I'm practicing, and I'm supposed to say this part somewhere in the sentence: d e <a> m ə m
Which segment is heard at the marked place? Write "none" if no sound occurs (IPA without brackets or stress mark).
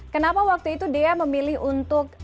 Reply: a